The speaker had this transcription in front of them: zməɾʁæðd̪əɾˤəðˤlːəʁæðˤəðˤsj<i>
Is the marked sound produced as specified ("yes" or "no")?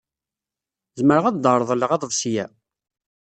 no